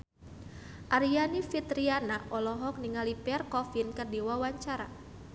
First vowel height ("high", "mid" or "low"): low